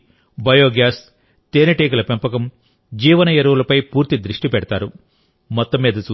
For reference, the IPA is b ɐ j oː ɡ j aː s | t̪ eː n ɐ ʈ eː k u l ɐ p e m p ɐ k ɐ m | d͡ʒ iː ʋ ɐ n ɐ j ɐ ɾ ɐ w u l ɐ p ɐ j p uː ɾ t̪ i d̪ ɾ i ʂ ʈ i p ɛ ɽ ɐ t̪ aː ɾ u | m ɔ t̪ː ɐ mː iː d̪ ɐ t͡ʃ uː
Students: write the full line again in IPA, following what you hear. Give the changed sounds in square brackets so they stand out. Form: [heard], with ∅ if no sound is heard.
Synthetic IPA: b ɐ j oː ɡ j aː s | t̪ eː n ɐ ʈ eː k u l ɐ p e m p ɐ k ɐ m | d͡ʒ iː ʋ ɐ n ɐ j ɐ ɾ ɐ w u l ɐ p ɐ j p uː ɾ t̪ i d̪ ɾ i ʂ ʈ i p ɛ ɽ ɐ t̪ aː ɾ u | m ɔ t̪ː ɐ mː iː d̪ ɐ t͡ʃ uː